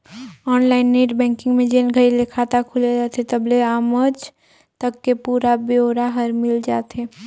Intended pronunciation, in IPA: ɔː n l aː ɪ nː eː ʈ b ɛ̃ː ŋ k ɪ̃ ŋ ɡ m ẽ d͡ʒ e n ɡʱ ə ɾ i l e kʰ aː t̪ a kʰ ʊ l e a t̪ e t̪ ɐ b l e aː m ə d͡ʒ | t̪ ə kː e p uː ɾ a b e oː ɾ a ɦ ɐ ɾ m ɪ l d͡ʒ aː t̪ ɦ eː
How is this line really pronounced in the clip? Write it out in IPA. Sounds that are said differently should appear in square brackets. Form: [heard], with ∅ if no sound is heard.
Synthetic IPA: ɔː n l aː ɪ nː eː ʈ b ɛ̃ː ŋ k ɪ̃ ŋ ɡ m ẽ d͡ʒ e n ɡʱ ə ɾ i l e kʰ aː t̪ a kʰ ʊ l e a t̪ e t̪ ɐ b l e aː m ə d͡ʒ | t̪ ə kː e p uː ɾ a b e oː ɾ a ɦ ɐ ɾ m ɪ l d͡ʒ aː t̪ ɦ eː